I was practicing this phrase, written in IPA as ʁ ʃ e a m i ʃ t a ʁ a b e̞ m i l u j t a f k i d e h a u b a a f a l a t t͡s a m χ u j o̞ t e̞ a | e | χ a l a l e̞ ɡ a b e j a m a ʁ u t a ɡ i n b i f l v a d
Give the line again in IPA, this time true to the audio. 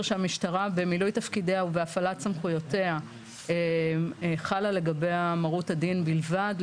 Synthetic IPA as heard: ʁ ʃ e a m i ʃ t a ʁ a b e̞ m i l u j t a f k i d e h a u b e a f a l a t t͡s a m χ u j o̞ t e̞ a | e | χ a l a l e̞ ɡ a b e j a m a ʁ u t a d i n b i l v a d